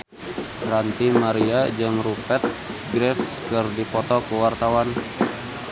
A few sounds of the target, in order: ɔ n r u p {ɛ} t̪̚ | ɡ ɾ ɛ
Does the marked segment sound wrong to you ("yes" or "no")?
no